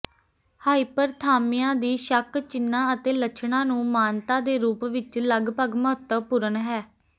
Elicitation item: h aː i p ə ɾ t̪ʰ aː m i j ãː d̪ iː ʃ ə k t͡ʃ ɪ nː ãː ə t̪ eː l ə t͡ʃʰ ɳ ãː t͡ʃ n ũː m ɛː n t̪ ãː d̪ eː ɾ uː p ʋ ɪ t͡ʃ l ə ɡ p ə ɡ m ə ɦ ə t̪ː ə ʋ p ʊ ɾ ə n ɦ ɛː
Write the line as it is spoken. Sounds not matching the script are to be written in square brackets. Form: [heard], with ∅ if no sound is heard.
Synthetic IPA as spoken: h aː i p ə ɾ t̪ʰ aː m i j ãː d̪ iː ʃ ə k t͡ʃ ɪ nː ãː ə t̪ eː l ə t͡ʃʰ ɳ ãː [∅] n ũː m [aː] n t̪ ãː d̪ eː ɾ uː p ʋ ɪ t͡ʃ l ə ɡ p ə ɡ m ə ɦ ə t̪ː ə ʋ p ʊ ɾ ə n ɦ ɛː